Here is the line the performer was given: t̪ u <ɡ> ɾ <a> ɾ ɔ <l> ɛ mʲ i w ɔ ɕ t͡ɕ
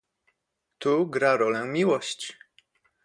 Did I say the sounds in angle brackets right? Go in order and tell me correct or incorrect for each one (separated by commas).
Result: correct, correct, correct